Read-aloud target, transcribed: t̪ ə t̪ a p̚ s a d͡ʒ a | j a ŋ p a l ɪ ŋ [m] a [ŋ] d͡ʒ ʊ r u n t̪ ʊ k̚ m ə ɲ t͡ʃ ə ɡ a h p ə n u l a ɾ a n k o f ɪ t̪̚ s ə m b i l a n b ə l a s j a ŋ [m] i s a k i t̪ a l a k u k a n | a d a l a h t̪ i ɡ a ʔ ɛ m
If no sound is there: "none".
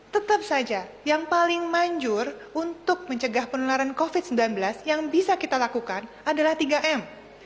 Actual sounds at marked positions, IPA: m, ɲ, b

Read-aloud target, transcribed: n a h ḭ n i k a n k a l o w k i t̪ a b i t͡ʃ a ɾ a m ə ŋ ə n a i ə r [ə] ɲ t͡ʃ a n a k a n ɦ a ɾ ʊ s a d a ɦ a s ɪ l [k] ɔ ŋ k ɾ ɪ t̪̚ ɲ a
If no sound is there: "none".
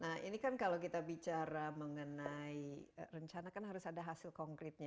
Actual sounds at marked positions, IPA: ə, k

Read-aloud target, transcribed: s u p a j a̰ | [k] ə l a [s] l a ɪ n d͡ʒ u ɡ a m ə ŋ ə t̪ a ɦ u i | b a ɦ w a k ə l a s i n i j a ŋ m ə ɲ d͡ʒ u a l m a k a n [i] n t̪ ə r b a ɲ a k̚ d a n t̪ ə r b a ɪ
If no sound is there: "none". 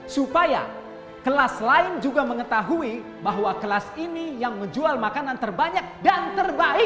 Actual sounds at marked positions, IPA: k, s, a

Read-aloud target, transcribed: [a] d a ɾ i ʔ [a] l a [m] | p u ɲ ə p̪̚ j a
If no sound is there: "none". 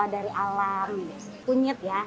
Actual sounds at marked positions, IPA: a, a, m

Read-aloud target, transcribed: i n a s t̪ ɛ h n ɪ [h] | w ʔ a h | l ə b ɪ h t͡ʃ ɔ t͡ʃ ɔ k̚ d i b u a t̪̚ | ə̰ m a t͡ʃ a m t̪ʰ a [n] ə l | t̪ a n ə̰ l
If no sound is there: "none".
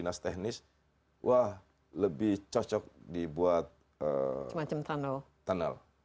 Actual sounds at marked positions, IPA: s, n

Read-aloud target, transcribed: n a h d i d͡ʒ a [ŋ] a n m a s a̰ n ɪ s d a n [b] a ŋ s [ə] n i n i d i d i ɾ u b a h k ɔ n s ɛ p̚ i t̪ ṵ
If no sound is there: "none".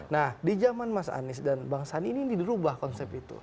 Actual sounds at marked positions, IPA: m, b, a

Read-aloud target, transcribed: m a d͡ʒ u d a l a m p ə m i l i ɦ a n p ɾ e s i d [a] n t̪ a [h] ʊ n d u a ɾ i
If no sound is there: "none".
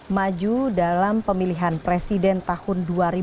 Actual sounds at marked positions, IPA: ɛ, h

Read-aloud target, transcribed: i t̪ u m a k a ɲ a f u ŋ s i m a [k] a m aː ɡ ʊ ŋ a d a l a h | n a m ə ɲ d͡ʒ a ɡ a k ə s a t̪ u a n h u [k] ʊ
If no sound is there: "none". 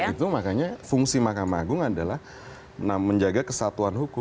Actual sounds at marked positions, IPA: k, k

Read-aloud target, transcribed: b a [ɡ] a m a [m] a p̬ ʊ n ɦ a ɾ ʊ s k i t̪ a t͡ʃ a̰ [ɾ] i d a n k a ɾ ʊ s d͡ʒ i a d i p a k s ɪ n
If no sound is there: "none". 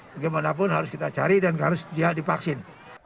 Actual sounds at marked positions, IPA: ɡ, n, ɾ

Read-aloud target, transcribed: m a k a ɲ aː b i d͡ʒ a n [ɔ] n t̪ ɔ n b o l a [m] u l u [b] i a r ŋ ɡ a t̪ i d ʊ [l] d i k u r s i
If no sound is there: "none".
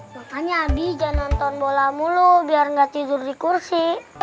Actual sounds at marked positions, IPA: ɔ, m, b, r

